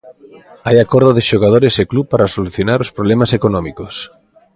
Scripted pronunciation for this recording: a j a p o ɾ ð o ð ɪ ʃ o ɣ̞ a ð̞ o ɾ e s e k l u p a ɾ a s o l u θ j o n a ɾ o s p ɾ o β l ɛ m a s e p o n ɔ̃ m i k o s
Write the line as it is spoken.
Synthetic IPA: a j a k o ɾ ð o ð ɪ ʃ o ɣ̞ a ð̞ o ɾ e s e k l u p a ɾ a s o l u θ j o n a ɾ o s p ɾ o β l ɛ m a s e k o n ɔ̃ m i k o s

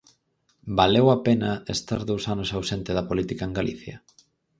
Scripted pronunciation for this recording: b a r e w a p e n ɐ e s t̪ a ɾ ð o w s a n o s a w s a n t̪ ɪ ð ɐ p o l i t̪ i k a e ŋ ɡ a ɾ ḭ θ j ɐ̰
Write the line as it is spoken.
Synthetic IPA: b a l e w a p e n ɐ e s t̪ a ɾ ð o w s a n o s a w s e n t̪ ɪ ð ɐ p o l i t̪ i k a e ŋ ɡ a l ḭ θ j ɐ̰

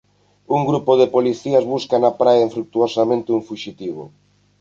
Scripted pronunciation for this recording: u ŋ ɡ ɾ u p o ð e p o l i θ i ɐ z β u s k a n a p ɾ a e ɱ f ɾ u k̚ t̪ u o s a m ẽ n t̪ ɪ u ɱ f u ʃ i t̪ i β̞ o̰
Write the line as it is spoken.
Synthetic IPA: u ŋ ɡ ɾ u p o ð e p o l i θ i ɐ z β u s k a n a p ɾ a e ɱ f ɾ u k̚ t̪ u o s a m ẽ n t̪ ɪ u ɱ f u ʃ i t̪ i β̞ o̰

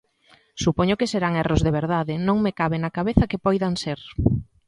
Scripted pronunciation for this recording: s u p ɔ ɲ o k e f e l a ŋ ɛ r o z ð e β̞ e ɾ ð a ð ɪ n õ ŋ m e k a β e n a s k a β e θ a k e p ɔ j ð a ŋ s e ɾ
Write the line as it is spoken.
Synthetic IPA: s u p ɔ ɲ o k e s e ɾ a ŋ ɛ r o z ð e β̞ e ɾ ð a ð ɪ n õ ŋ m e k a β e n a k a β e θ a k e p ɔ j ð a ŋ s e ɾ

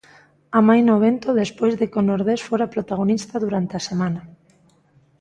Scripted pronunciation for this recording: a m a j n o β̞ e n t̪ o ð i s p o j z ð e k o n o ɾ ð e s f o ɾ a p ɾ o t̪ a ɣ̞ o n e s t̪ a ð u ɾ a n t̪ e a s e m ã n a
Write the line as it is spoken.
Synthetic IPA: a m a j n o β̞ e n t̪ o ð e s p o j z ð e k o n o ɾ ð e s f o ɾ a p ɾ o t̪ a ɣ̞ o n i s t̪ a ð u ɾ a n t̪ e a s e m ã n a

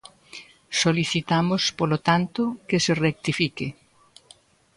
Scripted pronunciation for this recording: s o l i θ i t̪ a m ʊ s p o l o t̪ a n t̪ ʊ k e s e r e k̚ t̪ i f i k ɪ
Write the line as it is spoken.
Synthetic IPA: s o l i θ i t̪ a m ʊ s p o l o t̪ a n t̪ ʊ k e s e r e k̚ t̪ i f i k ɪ

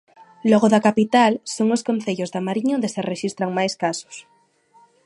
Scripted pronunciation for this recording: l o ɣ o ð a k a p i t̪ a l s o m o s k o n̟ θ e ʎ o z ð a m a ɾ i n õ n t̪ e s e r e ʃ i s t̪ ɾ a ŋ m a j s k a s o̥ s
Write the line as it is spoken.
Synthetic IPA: l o ɣ o ð a k a p i t̪ a l s o ŋ o s k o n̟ θ e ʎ o z ð a m a ɾ i ɲ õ n d̪ e s e r e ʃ i s t̪ ɾ a ŋ m a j s k a s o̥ s

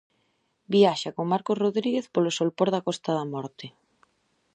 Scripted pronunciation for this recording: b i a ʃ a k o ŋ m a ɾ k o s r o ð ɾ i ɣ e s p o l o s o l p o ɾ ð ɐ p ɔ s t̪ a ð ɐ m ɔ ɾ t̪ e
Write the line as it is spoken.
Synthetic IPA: b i a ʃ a k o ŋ m a ɾ k o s r o ð ɾ i ɣ e θ p o l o s o l p o ɾ ð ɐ k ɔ s t̪ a ð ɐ m ɔ ɾ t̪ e

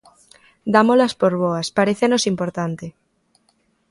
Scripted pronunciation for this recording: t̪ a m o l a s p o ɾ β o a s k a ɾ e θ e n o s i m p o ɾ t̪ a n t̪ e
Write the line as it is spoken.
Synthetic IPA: d̪ a m o l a s p o ɾ β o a s p a ɾ e θ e n o s i m p o ɾ t̪ a n t̪ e

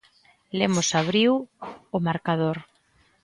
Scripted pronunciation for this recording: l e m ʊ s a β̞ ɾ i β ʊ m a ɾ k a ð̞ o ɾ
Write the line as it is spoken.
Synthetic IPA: l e m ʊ s a β̞ ɾ i w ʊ m a ɾ k a ð̞ o ɾ

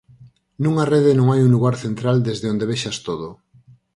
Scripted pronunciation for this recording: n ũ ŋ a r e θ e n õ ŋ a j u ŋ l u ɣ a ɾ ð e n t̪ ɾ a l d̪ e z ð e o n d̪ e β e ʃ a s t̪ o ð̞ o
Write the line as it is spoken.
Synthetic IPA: n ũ ŋ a r e ð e n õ ŋ a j u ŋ l u ɣ a ɾ θ e n t̪ ɾ a l d̪ e z ð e o n d̪ e β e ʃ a s t̪ o ð̞ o

